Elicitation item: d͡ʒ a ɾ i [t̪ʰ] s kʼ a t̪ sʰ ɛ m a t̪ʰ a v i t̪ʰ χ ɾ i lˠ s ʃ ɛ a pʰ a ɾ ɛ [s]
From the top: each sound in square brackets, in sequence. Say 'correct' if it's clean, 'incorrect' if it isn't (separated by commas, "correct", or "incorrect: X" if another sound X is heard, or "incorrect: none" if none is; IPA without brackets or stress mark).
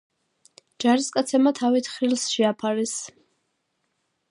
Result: incorrect: none, correct